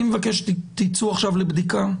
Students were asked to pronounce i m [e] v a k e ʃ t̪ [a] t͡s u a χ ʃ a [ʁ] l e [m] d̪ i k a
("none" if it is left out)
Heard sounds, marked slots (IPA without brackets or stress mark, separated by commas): e, i, v, b